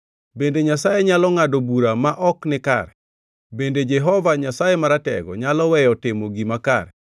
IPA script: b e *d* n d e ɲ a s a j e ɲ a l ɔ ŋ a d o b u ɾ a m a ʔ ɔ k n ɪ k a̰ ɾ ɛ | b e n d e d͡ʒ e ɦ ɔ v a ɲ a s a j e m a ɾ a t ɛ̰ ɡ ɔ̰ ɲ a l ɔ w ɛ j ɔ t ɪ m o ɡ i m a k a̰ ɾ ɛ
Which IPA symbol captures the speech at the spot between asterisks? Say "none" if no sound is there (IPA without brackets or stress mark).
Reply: none